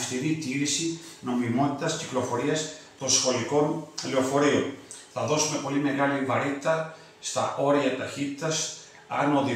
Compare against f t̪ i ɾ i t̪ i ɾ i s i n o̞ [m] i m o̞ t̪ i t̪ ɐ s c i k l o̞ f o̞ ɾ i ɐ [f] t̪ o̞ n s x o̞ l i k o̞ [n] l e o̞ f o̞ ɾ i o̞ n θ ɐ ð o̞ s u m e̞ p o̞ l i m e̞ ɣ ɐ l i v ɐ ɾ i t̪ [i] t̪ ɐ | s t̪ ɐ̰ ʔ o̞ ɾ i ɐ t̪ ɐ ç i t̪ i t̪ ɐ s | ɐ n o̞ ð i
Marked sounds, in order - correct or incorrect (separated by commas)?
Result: correct, incorrect, correct, correct